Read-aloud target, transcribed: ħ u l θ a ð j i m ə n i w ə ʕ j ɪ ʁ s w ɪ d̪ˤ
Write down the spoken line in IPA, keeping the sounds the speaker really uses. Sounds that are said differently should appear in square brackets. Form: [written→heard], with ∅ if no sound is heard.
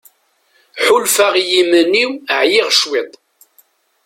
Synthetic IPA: ħ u l [θ→f] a [ð→ʁ] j i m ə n i w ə ʕ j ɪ ʁ [s→ʃ] w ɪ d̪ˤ